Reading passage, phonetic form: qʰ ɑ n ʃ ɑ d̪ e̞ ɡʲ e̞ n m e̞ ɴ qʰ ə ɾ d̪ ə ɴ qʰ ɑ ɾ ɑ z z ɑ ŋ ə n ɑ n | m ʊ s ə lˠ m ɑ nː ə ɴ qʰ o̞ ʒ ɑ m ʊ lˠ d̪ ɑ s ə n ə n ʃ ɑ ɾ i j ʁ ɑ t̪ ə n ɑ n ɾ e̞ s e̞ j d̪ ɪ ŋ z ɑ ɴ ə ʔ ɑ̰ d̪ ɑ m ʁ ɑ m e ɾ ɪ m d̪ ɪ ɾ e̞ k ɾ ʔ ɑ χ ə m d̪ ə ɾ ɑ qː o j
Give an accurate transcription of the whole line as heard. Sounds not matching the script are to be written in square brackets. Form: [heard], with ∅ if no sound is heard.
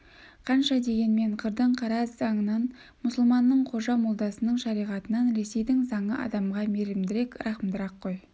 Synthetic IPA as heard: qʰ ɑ n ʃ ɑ d̪ e̞ ɡʲ e̞ n m e̞ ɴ qʰ ə ɾ d̪ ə ɴ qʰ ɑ ɾ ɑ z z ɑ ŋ ə n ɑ n | m ʊ s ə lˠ m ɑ nː ə ɴ qʰ o̞ ʒ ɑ m ʊ lˠ d̪ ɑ s ə n ə [ɴ] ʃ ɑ ɾ i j ʁ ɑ t̪ ə n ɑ n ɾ e̞ s e̞ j d̪ ɪ ŋ z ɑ ɴ ə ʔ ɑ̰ d̪ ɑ m ʁ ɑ m e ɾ ɪ m d̪ ɪ ɾ e̞ k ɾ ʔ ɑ χ ə m d̪ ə ɾ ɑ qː o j

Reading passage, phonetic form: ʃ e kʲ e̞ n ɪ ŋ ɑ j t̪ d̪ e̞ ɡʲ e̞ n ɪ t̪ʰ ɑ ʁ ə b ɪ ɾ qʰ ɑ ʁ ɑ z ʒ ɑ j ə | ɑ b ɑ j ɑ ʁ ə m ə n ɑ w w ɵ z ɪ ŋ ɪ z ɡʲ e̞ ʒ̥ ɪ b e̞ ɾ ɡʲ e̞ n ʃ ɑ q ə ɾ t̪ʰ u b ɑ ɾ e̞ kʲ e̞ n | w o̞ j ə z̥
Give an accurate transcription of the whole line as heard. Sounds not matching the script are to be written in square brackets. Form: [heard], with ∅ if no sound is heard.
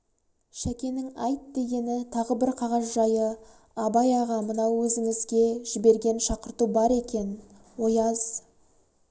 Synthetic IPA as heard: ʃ [æ] kʲ e̞ n ɪ ŋ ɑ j t̪ d̪ e̞ ɡʲ e̞ n ɪ t̪ʰ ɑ ʁ ə b ɪ ɾ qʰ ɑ ʁ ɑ z ʒ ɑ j ə | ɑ b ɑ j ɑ ʁ [ɑ] m ə n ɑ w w ɵ z ɪ ŋ ɪ z ɡʲ e̞ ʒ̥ ɪ b e̞ ɾ ɡʲ e̞ n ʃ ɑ q ə ɾ [t̪] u b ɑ ɾ e̞ kʲ e̞ n | w o̞ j [ɑ] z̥

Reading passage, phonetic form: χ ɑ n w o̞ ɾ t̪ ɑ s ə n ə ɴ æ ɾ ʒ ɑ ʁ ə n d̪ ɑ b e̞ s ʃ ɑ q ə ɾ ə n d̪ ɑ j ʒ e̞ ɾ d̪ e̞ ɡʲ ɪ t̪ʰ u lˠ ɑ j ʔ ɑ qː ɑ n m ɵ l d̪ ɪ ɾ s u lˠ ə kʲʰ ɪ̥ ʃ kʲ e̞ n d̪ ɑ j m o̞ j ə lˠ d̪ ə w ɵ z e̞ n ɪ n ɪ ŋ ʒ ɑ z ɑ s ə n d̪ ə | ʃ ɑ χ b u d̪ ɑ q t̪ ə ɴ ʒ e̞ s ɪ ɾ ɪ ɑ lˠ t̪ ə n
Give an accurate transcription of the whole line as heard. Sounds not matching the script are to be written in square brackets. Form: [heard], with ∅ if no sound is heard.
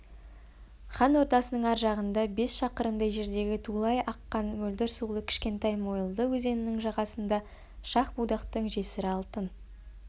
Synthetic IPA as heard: χ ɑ n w o̞ ɾ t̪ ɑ s ə n ə ɴ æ ɾ ʒ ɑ ʁ ə n d̪ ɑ b e̞ s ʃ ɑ q ə ɾ ə n d̪ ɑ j ʒ e̞ ɾ d̪ e̞ ɡʲ ɪ t̪ʰ u lˠ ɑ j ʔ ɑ qː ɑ n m ɵ l d̪ ɪ ɾ s u lˠ ə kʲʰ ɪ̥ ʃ kʲ e̞ n [t̪] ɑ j m o̞ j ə lˠ d̪ ə w ɵ z e̞ n ɪ n ɪ ŋ ʒ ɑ [ʁ] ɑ s ə n d̪ [ɑ] | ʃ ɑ χ b u d̪ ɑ q t̪ ə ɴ ʒ e̞ s ɪ ɾ ɪ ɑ lˠ t̪ ə n

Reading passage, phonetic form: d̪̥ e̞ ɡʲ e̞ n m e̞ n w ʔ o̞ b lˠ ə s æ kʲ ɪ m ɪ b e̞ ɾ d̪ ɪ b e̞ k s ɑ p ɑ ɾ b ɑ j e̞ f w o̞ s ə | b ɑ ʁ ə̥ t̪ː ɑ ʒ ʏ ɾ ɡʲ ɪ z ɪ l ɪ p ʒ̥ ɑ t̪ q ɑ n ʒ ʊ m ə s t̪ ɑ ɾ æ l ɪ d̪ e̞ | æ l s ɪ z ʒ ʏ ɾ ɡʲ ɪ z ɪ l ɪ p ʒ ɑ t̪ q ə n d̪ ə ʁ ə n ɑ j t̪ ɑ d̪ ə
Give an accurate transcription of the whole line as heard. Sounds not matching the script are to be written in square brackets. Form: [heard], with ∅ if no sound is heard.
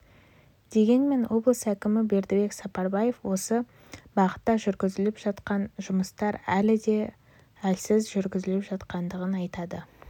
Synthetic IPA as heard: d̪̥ e̞ ɡʲ e̞ n m e̞ n w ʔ o̞ b lˠ ə s æ kʲ ɪ m ɪ b e̞ ɾ d̪ ɪ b e̞ k s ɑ p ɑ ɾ b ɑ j e̞ f w o̞ s ə | b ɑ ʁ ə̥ t̪ː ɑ ʒ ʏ ɾ ɡʲ ɪ z ɪ l ɪ p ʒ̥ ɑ t̪ q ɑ n ʒ ʊ m ə s t̪ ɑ ɾ æ l ɪ d̪ e̞ | æ l s ɪ z ʒ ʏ ɾ ɡʲ ɪ z ɪ l ɪ p ʒ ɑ t̪ q [ɑ] n d̪ ə ʁ ə n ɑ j t̪ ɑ d̪ ə

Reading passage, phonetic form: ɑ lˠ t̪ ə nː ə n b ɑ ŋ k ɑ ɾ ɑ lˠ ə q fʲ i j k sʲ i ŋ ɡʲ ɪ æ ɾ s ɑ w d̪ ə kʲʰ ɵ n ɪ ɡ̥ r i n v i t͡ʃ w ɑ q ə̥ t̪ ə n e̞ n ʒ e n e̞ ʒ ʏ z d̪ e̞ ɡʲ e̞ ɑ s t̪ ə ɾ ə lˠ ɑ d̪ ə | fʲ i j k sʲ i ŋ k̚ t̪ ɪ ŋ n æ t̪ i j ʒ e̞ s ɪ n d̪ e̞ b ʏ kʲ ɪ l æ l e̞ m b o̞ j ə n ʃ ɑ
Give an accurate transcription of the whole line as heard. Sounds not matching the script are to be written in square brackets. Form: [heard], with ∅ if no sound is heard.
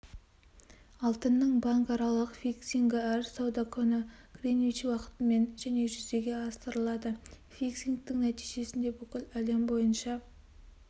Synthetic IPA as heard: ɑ lˠ t̪ ə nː ə [ɴ] b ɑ ŋ k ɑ ɾ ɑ lˠ ə q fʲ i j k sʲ i ŋ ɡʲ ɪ æ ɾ s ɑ w d̪ [ɑ] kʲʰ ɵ n ɪ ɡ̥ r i n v i t͡ʃ w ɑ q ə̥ t̪ ə [m] e̞ n ʒ [æ] n e̞ ʒ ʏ z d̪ e̞ ɡʲ e̞ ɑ s t̪ ə ɾ ə lˠ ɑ d̪ ə | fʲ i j k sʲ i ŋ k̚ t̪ ɪ ŋ n æ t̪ i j ʒ e̞ s ɪ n d̪ e̞ b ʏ kʲ ɪ l æ l e̞ m b o̞ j ə n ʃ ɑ

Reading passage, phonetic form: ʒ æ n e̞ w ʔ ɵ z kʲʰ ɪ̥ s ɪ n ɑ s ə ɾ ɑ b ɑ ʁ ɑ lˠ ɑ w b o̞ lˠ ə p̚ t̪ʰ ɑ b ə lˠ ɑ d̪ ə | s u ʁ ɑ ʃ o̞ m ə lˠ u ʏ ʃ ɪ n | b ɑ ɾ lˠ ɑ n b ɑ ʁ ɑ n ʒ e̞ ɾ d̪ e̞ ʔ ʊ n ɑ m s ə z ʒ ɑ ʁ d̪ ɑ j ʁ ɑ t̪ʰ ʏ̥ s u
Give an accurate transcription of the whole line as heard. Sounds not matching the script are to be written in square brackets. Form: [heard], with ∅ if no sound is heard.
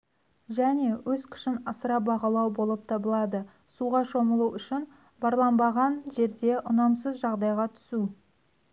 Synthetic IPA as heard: ʒ æ n e̞ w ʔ ɵ z kʲʰ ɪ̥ [ʃ] ɪ n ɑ s ə ɾ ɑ b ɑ ʁ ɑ lˠ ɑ w b o̞ lˠ ə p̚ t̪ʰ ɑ b ə lˠ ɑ d̪ ə | s u ʁ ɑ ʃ o̞ m ə lˠ u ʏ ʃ ɪ n | b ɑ ɾ lˠ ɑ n b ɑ ʁ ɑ n ʒ e̞ ɾ d̪ e̞ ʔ ʊ n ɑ m s ə z ʒ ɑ ʁ d̪ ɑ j ʁ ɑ t̪ʰ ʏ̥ s u

